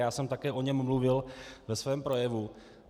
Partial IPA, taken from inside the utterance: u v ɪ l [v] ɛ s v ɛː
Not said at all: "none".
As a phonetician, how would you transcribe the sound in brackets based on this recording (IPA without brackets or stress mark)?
v